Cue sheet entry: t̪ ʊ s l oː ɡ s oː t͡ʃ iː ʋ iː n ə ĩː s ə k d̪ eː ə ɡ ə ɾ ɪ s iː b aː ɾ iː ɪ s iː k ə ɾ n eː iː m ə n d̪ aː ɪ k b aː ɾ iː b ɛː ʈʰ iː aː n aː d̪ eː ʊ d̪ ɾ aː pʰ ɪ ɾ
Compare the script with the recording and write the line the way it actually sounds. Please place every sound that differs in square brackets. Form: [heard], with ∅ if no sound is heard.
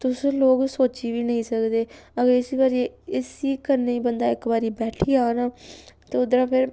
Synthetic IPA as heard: t̪ ʊ s l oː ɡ s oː t͡ʃ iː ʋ iː n ə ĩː s ə k d̪ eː ə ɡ ə ɾ ɪ s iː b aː ɾ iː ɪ s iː k ə ɾ n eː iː [b] ə n d̪ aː ɪ k b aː ɾ iː b ɛː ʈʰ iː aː n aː [t̪] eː ʊ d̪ ɾ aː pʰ ɪ ɾ